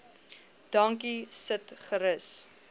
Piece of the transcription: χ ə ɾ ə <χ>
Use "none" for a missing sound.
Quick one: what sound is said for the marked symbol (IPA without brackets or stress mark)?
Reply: s